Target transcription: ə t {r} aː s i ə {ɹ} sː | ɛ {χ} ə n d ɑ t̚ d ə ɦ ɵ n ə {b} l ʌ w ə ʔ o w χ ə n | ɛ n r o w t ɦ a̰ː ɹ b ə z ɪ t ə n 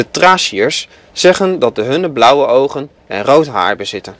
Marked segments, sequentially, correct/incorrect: correct, correct, correct, correct

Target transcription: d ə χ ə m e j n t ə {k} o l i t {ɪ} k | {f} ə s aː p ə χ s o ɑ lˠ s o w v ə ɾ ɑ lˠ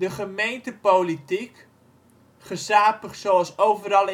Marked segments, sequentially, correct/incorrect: incorrect, incorrect, incorrect

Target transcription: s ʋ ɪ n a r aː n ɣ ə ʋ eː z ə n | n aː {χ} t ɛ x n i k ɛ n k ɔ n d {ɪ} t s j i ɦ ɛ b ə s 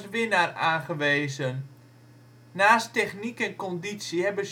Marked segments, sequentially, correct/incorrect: incorrect, incorrect

